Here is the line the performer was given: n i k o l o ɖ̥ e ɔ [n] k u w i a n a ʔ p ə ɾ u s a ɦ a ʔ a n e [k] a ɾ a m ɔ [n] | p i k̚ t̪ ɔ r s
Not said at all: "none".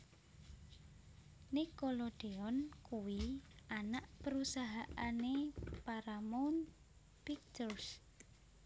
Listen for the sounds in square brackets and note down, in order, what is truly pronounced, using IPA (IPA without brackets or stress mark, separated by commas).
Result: n, p, n